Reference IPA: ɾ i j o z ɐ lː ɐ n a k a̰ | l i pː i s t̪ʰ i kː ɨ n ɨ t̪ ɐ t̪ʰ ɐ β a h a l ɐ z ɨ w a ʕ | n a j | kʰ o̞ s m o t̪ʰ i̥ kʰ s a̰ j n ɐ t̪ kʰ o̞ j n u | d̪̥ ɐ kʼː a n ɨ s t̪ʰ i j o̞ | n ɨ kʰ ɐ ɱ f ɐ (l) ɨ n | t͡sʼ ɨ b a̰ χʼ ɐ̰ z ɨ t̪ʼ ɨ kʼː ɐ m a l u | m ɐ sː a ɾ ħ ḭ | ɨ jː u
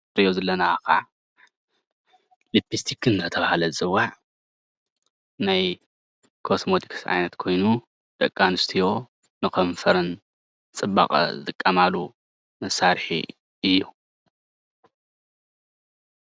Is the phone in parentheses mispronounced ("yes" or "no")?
yes